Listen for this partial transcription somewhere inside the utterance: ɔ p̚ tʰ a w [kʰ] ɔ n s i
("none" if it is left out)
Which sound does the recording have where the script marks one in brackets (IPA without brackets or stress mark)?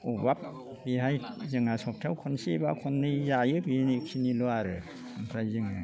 kʰ